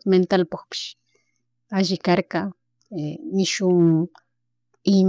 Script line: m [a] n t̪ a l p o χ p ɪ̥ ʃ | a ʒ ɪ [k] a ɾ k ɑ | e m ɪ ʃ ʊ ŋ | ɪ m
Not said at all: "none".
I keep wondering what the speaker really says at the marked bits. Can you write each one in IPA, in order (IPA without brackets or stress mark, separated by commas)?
e, k